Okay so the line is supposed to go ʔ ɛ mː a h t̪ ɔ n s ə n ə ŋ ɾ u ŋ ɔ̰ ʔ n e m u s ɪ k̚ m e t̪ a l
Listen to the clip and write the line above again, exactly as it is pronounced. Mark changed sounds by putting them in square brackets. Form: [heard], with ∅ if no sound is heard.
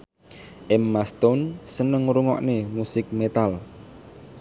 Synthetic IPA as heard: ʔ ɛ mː a [s] t̪ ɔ n s ə n ə ŋ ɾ u ŋ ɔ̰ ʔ n e m u s ɪ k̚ m e t̪ a l